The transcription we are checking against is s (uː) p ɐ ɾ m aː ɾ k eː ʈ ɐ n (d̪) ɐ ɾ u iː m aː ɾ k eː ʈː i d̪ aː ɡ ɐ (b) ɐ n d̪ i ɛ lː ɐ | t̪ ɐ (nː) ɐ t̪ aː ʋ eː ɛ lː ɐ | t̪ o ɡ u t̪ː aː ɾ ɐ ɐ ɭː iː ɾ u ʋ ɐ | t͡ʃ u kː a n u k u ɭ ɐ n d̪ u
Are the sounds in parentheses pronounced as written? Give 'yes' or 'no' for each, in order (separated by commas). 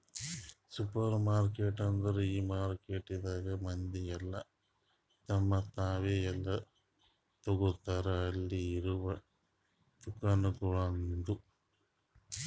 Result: no, yes, no, no